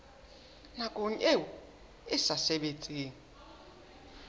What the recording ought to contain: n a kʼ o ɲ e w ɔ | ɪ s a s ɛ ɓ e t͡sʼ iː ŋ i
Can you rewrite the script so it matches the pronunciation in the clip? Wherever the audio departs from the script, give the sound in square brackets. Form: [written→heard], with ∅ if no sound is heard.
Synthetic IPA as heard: n a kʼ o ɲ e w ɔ | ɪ s a s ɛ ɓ e t͡sʼ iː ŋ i